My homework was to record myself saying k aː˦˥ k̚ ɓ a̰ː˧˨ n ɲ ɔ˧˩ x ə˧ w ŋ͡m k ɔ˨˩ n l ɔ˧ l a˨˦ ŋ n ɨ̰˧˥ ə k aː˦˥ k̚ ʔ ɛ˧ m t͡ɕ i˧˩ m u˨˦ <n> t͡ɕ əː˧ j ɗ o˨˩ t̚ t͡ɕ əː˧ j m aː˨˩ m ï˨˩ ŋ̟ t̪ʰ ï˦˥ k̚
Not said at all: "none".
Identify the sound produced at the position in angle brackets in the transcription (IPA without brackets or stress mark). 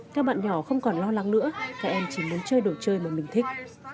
n